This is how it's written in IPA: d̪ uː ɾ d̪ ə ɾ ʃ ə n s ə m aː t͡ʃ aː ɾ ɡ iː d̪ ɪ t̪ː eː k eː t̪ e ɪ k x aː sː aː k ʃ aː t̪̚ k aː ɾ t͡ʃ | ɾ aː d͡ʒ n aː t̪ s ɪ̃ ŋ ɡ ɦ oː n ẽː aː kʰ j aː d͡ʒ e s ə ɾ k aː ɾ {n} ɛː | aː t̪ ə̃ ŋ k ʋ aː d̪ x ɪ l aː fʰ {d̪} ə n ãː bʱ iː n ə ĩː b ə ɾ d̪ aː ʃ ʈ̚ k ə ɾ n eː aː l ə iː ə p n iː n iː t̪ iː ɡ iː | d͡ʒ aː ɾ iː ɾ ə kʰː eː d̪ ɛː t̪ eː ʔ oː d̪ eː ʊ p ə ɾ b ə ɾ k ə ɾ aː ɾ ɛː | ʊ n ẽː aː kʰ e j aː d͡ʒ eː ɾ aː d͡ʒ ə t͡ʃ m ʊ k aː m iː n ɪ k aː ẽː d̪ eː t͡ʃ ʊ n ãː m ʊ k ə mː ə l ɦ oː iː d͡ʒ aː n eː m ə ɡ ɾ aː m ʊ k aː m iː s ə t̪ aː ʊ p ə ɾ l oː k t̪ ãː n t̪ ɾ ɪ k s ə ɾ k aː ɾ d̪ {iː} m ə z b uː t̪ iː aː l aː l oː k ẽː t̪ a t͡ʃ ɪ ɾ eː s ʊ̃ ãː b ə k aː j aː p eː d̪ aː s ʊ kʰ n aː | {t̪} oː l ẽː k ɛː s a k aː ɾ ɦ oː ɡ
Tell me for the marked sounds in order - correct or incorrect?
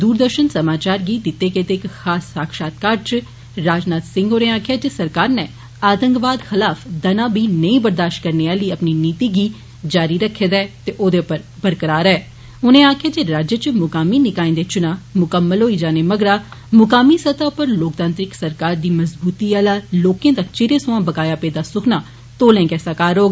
correct, correct, correct, correct

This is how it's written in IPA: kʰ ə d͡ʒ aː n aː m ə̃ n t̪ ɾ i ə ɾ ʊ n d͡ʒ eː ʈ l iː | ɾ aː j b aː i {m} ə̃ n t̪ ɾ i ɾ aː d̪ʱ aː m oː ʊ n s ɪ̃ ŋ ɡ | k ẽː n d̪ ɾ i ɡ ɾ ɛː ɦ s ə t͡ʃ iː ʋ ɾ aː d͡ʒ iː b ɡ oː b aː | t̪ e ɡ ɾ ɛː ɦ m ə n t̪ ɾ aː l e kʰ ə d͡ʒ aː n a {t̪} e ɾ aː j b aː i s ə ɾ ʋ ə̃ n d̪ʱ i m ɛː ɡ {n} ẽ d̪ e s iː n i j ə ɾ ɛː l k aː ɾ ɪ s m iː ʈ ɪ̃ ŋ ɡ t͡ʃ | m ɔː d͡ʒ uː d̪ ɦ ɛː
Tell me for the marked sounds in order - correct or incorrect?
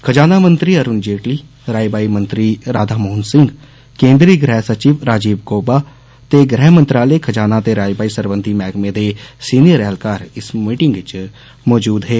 correct, correct, incorrect

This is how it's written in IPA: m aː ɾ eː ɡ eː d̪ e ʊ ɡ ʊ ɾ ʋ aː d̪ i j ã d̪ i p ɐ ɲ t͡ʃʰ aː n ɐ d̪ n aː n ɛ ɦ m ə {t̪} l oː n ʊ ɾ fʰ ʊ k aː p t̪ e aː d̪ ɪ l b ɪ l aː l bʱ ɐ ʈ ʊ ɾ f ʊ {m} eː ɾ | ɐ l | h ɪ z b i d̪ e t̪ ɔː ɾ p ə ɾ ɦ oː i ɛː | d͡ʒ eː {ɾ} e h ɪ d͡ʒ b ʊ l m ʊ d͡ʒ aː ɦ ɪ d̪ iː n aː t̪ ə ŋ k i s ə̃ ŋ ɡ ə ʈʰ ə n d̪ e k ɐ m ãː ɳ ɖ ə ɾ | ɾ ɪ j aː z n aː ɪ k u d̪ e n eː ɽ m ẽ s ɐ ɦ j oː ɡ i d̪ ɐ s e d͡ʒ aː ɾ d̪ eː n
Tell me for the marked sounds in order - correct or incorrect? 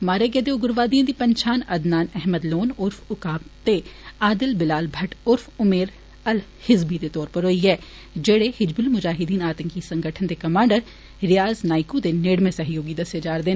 incorrect, correct, incorrect

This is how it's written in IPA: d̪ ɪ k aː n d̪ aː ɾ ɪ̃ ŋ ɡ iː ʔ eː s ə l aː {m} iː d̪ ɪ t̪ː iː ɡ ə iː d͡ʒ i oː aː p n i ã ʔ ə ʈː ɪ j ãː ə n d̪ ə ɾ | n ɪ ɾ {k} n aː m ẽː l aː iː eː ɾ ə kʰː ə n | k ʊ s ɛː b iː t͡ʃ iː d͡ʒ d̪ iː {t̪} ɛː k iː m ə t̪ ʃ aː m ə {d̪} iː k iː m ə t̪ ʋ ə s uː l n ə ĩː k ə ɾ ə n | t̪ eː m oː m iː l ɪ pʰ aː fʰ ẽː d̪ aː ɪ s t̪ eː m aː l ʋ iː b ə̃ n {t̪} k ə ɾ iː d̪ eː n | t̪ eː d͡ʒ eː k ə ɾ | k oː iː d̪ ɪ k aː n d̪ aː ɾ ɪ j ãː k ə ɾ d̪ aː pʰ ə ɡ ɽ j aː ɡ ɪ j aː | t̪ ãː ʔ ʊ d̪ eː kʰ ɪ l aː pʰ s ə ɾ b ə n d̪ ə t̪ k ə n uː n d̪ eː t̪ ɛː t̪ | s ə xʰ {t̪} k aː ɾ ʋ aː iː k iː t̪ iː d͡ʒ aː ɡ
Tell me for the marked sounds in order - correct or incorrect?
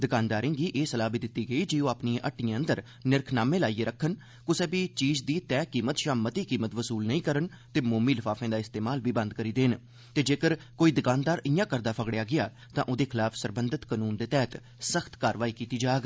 incorrect, incorrect, correct, incorrect, incorrect, correct

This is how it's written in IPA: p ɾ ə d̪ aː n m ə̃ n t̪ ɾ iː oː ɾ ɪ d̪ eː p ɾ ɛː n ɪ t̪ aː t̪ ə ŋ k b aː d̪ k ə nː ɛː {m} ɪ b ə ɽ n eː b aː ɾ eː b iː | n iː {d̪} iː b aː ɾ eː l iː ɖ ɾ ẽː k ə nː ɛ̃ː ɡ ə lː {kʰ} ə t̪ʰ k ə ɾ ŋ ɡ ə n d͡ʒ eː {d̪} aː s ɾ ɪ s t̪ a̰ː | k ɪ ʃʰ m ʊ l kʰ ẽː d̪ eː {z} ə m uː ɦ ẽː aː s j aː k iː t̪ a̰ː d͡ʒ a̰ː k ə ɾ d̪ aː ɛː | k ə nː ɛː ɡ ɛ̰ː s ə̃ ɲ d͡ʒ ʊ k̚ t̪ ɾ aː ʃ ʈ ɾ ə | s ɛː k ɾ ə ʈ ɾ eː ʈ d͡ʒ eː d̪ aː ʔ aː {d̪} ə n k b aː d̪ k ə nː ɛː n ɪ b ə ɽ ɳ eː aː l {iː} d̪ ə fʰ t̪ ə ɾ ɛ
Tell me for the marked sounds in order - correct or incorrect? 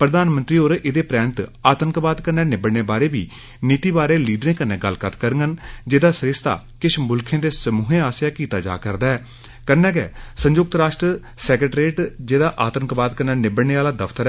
incorrect, incorrect, incorrect, correct, incorrect, incorrect, incorrect

